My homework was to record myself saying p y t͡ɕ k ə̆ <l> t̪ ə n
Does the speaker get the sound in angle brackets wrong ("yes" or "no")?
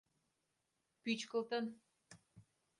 no